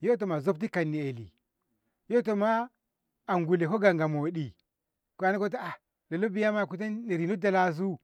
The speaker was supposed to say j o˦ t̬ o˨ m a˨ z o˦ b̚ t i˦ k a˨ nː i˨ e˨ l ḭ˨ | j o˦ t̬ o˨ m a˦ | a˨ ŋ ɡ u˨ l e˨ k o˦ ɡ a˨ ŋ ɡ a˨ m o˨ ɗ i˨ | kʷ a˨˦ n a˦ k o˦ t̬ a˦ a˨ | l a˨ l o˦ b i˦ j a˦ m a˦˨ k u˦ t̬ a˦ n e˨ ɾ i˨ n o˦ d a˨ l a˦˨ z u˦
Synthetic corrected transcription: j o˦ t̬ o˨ m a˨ z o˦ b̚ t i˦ k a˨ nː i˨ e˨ l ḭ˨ | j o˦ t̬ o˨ m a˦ | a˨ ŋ ɡ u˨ l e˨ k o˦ ɡ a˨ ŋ ɡ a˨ m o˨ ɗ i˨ | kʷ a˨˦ n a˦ k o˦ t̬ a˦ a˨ | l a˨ l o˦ b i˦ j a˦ m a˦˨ k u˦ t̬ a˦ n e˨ ɾ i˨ n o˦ d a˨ l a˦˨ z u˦